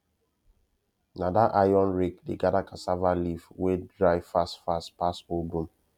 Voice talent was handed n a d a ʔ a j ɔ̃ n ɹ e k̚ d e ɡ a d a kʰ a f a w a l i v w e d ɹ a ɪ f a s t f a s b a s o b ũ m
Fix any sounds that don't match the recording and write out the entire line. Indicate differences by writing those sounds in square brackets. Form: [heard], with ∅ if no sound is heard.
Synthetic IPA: n a d a ʔ a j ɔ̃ n ɹ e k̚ d e ɡ a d a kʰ a [s] a [v] a l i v w e d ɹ a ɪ f a s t f a s [p] a s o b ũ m